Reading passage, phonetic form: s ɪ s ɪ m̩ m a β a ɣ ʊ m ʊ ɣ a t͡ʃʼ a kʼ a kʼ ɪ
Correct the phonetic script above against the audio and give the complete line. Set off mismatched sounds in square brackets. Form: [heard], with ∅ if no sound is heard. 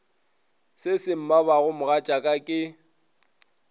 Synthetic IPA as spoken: s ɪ s ɪ m̩ m a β a ɣ ʊ m ʊ ɣ a t͡ʃʼ a kʼ a kʼ ɪ